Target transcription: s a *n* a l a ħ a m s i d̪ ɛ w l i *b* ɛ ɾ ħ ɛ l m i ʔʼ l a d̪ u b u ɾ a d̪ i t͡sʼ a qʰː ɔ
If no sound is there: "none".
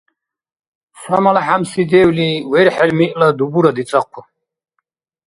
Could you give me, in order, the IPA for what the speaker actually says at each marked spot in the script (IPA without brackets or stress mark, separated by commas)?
m, w